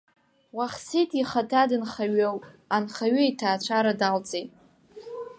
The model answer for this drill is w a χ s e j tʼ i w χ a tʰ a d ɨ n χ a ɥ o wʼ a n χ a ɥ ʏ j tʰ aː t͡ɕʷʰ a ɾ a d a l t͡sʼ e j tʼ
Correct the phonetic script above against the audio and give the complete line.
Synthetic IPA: w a χ s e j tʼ i χ a tʰ a d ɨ n χ a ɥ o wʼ a n χ a ɥ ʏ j tʰ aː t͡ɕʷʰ a ɾ a d a l t͡sʼ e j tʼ